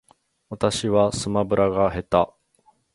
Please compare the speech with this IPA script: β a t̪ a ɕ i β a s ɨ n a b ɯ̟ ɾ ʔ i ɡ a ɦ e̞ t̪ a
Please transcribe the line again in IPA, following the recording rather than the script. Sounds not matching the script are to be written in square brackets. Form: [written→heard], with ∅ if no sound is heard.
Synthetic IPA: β a t̪ a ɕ i β a s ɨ [n→m] a b ɯ̟ ɾ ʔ [i→a] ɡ a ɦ e̞ t̪ a